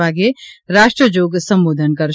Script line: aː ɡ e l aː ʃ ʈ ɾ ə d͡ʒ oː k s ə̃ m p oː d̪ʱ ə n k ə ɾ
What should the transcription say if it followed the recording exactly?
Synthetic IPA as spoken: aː ɡ e ɾ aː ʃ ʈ ɾ ə d͡ʒ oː ɡ s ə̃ m b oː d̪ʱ ə n k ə ɾ